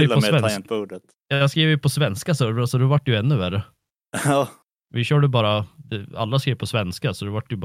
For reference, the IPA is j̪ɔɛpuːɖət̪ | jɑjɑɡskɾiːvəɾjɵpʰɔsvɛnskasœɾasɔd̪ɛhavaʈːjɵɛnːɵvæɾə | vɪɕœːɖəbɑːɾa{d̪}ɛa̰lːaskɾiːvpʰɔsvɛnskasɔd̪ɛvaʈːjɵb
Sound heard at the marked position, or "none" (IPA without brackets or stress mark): d̪